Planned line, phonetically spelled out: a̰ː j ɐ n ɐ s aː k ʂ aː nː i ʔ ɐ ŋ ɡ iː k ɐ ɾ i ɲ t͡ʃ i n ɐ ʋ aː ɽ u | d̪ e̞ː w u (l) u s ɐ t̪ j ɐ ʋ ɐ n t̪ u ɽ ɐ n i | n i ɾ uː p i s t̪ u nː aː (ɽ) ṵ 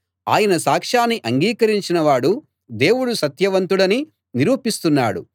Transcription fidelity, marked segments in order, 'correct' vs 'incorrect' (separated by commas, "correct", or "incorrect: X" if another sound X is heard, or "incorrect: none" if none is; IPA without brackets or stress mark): incorrect: ɽ, correct